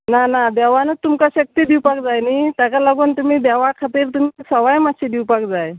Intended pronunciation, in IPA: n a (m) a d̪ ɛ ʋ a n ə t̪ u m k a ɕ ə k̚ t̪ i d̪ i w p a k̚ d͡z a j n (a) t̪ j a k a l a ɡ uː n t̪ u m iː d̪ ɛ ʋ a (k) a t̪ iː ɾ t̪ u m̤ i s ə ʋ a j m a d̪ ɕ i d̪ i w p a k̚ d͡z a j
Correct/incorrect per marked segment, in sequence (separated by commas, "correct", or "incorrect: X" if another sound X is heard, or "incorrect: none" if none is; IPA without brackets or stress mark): incorrect: n, incorrect: i, incorrect: kʰ